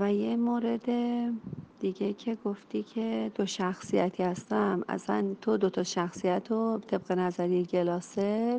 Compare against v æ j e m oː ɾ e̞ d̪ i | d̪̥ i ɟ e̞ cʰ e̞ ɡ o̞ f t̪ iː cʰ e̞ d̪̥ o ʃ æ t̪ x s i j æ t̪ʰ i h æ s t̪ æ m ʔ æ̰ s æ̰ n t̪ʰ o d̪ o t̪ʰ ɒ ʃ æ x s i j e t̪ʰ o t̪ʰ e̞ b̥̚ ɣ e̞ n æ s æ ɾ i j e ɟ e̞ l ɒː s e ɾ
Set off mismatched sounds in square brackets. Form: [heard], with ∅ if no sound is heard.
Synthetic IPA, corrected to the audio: v æ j e m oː ɾ e̞ d̪ [e] | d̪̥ i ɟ e̞ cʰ e̞ ɡ o̞ f t̪ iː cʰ e̞ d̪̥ o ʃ æ [∅] x s i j æ t̪ʰ i h æ s t̪ æ m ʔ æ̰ s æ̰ n t̪ʰ o d̪ o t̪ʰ ɒ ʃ æ x s i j [æ] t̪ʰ o t̪ʰ e̞ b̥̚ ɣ e̞ n æ [z] æ ɾ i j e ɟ e̞ l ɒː s e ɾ